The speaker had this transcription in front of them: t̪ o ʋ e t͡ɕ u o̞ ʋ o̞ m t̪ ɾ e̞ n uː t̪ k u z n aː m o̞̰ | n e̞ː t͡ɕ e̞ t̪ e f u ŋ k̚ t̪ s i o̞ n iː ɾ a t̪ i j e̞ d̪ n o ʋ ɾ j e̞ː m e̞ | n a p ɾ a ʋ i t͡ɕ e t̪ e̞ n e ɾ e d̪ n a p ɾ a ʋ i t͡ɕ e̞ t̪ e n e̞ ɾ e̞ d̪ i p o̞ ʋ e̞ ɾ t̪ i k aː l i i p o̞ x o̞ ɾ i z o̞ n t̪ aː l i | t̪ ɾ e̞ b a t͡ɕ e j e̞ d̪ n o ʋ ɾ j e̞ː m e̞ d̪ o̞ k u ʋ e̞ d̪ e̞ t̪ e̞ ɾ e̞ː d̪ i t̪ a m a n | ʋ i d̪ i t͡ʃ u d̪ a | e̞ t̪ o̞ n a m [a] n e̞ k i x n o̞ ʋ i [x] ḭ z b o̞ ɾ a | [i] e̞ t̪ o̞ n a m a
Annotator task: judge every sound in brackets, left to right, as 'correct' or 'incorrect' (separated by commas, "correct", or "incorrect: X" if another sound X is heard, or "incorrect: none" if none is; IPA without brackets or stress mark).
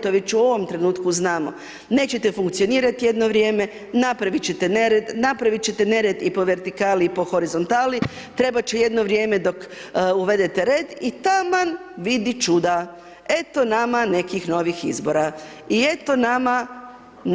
correct, correct, correct